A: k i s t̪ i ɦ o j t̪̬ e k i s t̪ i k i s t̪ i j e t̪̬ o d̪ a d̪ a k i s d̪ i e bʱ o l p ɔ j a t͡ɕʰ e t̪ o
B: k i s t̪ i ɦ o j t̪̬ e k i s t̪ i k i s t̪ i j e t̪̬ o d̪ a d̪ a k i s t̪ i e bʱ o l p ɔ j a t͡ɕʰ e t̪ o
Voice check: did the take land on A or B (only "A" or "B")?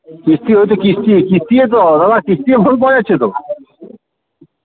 B